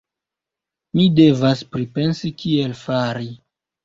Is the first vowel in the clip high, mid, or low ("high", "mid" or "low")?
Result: high